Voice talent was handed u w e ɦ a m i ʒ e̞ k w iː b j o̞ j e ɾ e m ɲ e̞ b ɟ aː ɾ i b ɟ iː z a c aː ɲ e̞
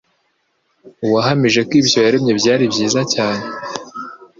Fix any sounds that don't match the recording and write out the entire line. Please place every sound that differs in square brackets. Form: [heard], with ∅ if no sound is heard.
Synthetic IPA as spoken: u w [a] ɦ a m i ʒ e̞ k w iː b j o̞ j [a] ɾ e m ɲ e̞ b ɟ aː ɾ i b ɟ iː z a c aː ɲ e̞

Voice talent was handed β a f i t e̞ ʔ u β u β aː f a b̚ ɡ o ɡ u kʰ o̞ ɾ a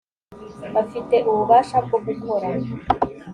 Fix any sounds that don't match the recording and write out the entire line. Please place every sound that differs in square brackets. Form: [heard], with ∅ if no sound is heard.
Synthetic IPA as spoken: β a f i t e̞ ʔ u β u β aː [ʃ] a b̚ ɡ o ɡ u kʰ o̞ ɾ a

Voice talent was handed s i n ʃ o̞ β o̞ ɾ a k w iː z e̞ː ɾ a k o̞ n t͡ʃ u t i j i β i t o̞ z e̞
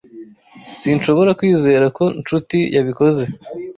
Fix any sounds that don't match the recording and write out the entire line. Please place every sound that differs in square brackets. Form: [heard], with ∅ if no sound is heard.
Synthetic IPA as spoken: s i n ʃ o̞ β o̞ ɾ a k w iː z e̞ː ɾ a k o̞ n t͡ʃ u t i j [a] β i [k] o̞ z e̞

